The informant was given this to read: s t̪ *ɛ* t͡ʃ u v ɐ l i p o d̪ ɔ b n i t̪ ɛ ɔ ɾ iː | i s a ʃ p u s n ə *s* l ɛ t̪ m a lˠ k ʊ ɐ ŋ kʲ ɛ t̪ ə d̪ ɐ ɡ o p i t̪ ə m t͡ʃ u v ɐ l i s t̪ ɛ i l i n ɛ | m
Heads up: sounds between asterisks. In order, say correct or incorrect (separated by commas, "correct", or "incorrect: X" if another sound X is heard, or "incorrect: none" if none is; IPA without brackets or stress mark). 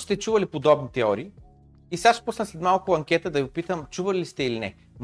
correct, correct